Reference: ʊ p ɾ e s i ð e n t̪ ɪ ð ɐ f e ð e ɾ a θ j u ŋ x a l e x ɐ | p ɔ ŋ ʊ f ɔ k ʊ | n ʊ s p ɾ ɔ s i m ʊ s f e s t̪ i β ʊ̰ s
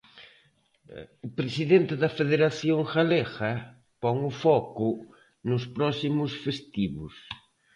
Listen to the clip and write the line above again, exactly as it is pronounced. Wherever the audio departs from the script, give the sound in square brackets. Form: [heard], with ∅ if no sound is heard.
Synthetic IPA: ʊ p ɾ e s i ð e n t̪ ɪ ð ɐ f e ð e ɾ a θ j [o] ŋ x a l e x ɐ | p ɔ ŋ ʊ f ɔ k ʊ | n ʊ s p ɾ ɔ s i m ʊ s f e s t̪ i β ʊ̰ s